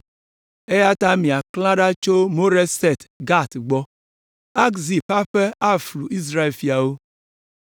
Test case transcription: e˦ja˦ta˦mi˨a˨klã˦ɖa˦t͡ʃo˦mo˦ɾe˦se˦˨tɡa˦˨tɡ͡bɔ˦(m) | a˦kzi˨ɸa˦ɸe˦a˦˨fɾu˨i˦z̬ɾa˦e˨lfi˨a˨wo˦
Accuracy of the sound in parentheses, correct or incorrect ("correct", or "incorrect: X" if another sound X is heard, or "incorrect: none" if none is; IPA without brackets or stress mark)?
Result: incorrect: none